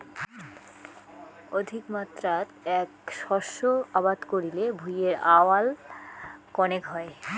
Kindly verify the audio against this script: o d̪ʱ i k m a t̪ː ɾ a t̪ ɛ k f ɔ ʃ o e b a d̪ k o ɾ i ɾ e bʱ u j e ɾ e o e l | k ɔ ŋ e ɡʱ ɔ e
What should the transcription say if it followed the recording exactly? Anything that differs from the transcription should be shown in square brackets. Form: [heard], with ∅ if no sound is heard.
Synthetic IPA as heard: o d̪ʱ i k m a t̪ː ɾ a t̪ ɛ k [ʃ] ɔ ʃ o [a] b a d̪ k o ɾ i [l] e bʱ u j e ɾ [a] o [a] l | k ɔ [n] e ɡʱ ɔ e

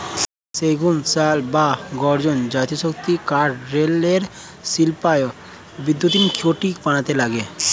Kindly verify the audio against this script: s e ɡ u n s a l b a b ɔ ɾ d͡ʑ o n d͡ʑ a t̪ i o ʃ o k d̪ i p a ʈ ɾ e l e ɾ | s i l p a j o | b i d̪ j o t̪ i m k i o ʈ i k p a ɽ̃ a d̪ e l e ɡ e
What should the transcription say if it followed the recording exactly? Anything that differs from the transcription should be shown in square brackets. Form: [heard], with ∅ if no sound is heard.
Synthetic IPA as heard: s e ɡ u n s a l b a [ɡ] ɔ ɾ d͡ʑ o n d͡ʑ a t̪ i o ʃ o k [t̪] i [k] a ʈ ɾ e l e ɾ | s i l p a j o | b i d̪ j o t̪ i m k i o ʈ i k p a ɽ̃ a [t̪] e l [a] ɡ e

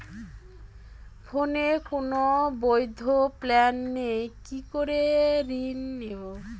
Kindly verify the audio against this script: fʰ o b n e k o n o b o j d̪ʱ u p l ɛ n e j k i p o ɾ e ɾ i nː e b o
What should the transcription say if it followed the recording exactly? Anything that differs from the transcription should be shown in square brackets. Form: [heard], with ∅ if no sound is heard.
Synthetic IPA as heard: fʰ o [∅] n e k o n o b o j d̪ʱ [o] p l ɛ [nː] e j k i [k] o ɾ e ɾ i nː e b o

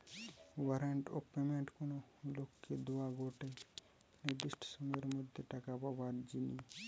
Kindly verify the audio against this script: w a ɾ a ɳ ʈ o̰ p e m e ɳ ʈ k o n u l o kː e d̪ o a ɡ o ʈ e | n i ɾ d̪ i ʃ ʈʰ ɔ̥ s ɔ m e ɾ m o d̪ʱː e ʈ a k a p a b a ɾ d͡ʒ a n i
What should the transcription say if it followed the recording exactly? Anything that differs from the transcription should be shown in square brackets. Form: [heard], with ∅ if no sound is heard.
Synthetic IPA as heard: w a ɾ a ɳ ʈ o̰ p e m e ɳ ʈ k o n [o] l o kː e d̪ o a ɡ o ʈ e | n i ɾ d̪ i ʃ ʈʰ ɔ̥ s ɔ m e ɾ m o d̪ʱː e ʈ a k a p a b a ɾ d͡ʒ [i] n i

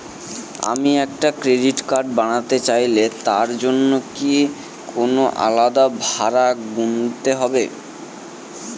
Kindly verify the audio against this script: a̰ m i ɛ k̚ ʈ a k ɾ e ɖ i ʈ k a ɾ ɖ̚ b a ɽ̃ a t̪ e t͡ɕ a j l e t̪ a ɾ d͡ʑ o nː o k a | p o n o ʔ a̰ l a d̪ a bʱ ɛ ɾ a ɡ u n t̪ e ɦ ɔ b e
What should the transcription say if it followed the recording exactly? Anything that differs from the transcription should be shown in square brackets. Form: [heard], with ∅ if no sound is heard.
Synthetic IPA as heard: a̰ m i ɛ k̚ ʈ a k ɾ e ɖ i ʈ k a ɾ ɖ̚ b a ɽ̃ a t̪ e t͡ɕ a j l e t̪ a ɾ d͡ʑ o nː o k [i] | [k] o n o ʔ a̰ l a d̪ a bʱ [a] ɾ a ɡ u n t̪ e ɦ ɔ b e

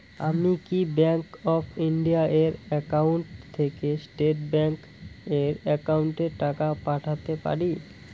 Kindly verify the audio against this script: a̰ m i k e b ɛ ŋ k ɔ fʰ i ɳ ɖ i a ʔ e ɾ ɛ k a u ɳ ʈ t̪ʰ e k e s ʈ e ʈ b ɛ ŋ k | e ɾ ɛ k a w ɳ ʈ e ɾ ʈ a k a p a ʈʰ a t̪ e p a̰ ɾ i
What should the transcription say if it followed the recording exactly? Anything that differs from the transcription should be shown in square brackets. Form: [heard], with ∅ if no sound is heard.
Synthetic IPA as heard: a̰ m i k [i] b ɛ ŋ k ɔ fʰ i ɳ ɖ i a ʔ e ɾ ɛ k a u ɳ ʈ t̪ʰ e k e s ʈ e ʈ b ɛ ŋ k | e ɾ ɛ k a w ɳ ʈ e ɾ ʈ a k a p a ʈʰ a t̪ e p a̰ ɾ i

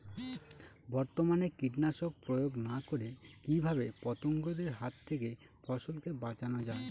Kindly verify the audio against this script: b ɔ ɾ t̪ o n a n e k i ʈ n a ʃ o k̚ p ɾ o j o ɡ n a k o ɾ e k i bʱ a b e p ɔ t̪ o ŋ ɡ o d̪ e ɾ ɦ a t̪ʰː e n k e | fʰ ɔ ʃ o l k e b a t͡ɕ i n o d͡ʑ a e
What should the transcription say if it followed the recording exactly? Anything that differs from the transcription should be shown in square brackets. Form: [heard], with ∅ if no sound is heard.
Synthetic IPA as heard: b ɔ ɾ t̪ o [m] a n e k i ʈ n a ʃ o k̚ p ɾ o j o ɡ n a k o ɾ e k i bʱ a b e p ɔ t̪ o ŋ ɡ o d̪ e ɾ ɦ a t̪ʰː e [∅] k e | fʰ ɔ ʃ o l k e b a t͡ɕ [a] n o d͡ʑ a e

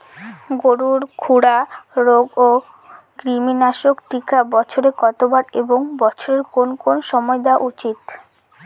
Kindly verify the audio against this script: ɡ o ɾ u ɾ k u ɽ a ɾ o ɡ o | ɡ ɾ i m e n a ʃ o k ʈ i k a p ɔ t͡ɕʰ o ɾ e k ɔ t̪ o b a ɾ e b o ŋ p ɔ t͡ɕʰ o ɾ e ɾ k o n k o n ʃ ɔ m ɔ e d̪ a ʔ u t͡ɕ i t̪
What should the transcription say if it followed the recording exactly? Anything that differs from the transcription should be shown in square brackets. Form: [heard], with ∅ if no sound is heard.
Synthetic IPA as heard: ɡ o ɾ u ɾ [kʰ] u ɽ a ɾ o ɡ o | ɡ ɾ i m [i] n a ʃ o k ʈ i k a [b] ɔ t͡ɕʰ o ɾ e k ɔ t̪ o b a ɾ e b o ŋ [b] ɔ t͡ɕʰ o ɾ e ɾ k o n k o n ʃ ɔ m ɔ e d̪ a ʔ u t͡ɕ i t̪

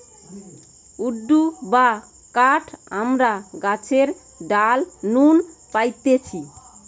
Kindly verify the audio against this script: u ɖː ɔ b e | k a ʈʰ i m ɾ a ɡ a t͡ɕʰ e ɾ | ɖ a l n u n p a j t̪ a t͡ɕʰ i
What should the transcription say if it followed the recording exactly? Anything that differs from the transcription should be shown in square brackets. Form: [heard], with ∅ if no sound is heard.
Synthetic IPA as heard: u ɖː [u] b [a] | k a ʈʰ [a] m ɾ a ɡ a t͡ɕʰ e ɾ | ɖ a l n u n p a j t̪ [e] t͡ɕʰ i

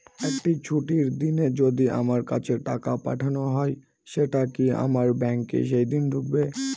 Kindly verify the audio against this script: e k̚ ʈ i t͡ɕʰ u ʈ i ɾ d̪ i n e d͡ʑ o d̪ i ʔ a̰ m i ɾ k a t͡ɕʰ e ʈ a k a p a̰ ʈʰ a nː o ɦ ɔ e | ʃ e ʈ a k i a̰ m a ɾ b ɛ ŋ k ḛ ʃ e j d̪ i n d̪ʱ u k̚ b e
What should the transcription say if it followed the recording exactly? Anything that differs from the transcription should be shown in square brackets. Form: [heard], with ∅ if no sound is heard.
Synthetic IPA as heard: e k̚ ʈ i t͡ɕʰ u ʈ i ɾ d̪ i n e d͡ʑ o d̪ i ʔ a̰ m [a] ɾ k a t͡ɕʰ e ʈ a k a p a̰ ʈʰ a [n] o ɦ ɔ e | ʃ e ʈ a k i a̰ m a ɾ b ɛ ŋ k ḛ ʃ e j d̪ i n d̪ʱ u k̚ b e

